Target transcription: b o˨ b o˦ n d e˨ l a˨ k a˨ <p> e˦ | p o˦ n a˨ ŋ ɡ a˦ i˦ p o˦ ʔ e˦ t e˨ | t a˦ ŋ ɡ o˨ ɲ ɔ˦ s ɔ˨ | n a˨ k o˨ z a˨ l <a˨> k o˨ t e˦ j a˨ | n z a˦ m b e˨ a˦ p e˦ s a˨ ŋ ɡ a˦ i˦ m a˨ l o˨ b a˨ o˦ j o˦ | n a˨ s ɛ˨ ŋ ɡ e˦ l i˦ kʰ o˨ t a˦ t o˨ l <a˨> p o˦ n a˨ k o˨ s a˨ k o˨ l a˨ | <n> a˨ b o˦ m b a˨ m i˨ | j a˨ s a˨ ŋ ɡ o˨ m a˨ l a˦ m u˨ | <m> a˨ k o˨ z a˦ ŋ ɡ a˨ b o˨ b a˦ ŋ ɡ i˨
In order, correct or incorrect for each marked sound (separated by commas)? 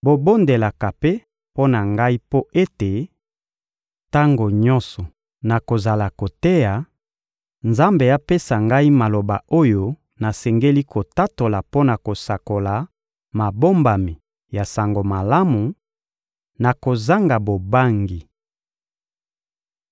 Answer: correct, correct, correct, incorrect, incorrect